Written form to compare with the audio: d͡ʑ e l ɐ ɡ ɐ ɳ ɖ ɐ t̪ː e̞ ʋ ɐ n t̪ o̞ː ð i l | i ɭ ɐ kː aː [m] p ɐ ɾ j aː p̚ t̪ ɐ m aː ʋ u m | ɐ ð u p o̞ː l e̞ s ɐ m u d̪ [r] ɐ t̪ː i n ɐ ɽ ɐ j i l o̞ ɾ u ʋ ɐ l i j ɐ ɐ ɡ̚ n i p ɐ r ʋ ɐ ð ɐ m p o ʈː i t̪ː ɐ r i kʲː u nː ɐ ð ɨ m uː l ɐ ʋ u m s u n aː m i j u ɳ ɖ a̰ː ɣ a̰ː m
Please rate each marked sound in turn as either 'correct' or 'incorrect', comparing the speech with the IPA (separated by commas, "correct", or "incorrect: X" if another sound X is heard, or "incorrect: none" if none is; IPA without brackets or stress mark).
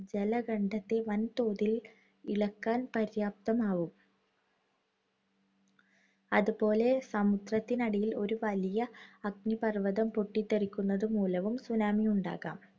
incorrect: n, correct